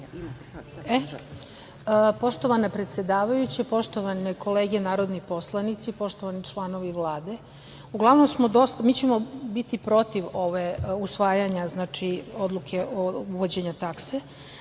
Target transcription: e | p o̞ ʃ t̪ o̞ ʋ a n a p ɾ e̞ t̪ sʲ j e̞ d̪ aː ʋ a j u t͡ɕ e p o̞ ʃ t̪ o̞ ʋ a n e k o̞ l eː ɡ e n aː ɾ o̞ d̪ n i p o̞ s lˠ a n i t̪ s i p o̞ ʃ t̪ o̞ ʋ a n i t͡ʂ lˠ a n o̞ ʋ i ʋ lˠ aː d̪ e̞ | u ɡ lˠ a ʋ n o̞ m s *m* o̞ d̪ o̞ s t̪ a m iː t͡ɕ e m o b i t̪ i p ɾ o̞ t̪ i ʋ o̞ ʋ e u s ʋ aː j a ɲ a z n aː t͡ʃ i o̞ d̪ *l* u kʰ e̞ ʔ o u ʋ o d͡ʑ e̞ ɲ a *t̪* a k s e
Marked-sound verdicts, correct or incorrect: correct, correct, correct

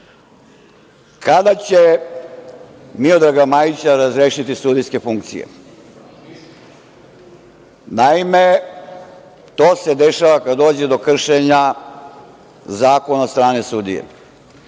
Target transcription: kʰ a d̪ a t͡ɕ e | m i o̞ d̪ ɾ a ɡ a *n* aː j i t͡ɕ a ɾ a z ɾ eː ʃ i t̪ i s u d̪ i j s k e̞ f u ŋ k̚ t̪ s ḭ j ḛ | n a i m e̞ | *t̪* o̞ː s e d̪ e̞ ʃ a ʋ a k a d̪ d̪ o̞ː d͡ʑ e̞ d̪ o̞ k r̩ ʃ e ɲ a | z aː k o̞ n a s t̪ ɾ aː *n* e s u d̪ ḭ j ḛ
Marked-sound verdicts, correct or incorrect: incorrect: m, correct, correct

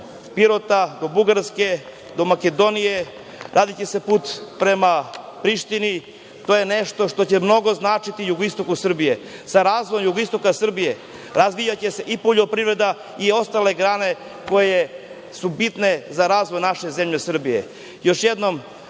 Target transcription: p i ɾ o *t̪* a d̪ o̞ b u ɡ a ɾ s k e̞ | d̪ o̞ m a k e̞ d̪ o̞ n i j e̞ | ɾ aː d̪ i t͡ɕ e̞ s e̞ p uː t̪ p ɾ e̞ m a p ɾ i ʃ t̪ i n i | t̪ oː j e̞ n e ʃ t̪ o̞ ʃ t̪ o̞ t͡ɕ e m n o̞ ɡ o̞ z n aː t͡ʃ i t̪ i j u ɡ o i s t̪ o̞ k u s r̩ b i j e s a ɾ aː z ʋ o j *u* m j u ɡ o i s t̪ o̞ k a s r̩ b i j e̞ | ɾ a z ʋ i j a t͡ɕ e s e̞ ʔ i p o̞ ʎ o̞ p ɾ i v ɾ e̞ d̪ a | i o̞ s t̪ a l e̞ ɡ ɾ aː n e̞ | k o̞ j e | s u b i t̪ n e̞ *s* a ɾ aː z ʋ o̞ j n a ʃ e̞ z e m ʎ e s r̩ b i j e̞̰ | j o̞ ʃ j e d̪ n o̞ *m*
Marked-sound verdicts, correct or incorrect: correct, incorrect: o, incorrect: z, correct

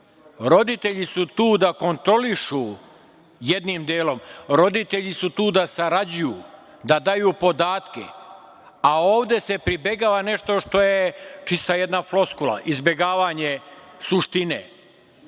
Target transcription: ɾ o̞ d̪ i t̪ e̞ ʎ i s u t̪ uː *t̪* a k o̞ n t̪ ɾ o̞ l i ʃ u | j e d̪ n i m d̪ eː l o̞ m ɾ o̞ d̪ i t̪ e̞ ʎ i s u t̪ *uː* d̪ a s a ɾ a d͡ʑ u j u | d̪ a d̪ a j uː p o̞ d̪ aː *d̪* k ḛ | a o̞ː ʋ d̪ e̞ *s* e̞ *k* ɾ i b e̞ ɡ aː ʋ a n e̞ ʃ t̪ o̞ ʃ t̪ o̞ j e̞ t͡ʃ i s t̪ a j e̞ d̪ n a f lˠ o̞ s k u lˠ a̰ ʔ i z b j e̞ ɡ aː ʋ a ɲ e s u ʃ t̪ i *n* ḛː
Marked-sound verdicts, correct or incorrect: incorrect: d̪, correct, incorrect: t̪, correct, incorrect: p, correct

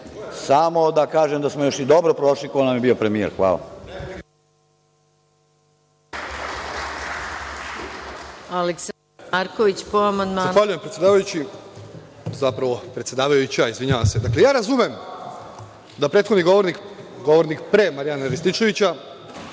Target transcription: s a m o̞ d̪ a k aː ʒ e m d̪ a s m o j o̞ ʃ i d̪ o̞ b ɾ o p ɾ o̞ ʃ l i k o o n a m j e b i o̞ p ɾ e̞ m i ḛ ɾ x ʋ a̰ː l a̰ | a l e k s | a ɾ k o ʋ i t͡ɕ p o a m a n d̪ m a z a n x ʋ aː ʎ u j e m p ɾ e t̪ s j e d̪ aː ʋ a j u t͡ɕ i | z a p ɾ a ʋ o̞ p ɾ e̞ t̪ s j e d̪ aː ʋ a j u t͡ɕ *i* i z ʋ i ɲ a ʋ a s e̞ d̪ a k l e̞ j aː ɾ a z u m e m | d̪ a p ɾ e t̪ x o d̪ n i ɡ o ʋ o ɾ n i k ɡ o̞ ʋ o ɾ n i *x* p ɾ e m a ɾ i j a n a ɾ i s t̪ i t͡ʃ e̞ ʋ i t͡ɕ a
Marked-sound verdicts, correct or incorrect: incorrect: a, incorrect: k

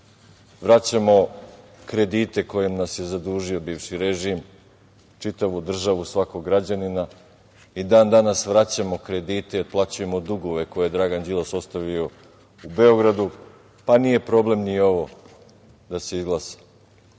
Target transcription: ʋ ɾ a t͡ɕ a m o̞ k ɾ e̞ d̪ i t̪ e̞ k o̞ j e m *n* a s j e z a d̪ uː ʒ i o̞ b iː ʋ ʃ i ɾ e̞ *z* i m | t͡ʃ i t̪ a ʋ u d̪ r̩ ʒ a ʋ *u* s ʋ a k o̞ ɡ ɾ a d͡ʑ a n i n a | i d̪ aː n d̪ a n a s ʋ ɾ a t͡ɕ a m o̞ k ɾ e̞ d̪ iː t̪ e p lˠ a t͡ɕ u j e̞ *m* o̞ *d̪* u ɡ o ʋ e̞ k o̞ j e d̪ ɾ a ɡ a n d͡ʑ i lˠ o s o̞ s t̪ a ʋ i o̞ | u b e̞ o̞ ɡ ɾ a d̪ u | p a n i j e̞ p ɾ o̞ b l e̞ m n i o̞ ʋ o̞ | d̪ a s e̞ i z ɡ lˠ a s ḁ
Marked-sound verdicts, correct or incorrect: correct, incorrect: ʒ, correct, correct, correct

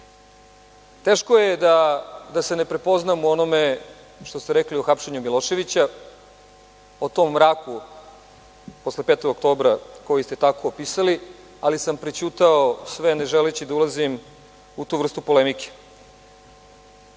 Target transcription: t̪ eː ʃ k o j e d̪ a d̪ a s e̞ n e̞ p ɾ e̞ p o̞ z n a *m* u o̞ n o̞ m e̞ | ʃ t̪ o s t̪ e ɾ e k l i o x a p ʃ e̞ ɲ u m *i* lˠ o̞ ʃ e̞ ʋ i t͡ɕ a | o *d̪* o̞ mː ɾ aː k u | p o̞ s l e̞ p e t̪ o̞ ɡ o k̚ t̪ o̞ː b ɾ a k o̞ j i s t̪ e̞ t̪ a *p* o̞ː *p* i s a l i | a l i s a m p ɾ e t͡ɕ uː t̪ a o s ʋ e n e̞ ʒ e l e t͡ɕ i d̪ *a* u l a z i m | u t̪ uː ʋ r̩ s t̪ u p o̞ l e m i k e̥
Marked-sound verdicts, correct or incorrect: correct, correct, incorrect: t̪, incorrect: k, correct, correct

